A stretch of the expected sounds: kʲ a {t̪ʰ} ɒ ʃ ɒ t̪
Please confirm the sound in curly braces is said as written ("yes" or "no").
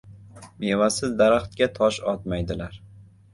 yes